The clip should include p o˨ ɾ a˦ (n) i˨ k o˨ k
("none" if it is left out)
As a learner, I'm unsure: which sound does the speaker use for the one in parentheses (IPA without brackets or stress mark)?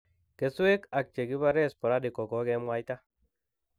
d